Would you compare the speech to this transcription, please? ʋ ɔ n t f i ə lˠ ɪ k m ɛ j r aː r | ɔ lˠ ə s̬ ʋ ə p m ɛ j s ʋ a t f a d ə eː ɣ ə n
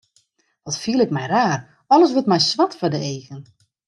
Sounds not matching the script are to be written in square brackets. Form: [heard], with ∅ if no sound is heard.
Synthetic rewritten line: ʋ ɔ [∅] t f i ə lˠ ɪ k m ɛ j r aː r | ɔ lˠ ə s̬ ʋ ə [t] m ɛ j s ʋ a t f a d ə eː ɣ ə n